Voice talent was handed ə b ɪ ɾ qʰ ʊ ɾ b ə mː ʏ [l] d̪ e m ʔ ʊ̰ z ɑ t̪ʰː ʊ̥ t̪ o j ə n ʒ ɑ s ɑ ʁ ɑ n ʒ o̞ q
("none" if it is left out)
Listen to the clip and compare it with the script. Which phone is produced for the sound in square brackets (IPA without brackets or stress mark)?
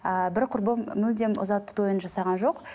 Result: l